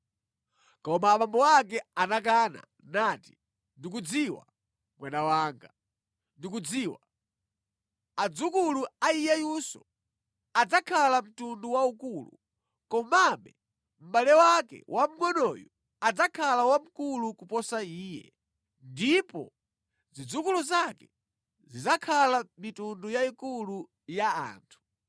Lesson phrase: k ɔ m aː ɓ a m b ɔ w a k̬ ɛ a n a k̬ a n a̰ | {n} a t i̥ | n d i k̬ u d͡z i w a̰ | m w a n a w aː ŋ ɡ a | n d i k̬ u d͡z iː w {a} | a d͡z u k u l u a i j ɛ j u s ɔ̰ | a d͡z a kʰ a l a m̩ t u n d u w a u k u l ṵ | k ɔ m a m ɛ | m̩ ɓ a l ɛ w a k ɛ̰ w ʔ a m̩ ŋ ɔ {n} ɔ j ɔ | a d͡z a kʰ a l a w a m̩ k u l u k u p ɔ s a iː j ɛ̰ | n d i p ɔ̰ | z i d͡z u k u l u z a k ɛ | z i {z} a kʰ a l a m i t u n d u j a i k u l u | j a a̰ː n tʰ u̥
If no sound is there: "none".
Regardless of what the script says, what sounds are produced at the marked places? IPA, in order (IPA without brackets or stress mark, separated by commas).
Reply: n, a, n, z